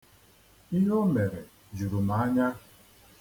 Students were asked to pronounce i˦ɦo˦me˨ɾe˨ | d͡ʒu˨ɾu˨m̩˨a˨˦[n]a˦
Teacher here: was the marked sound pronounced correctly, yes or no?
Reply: no